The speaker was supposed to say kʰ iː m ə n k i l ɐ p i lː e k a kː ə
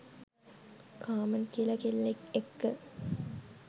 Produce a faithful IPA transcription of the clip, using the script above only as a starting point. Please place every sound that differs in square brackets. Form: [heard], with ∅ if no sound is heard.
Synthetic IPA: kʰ [aː] m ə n k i l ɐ [k] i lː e k [e] kː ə